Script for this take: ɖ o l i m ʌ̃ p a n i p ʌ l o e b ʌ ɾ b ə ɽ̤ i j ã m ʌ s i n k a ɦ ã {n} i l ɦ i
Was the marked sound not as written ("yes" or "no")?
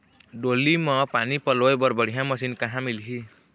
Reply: yes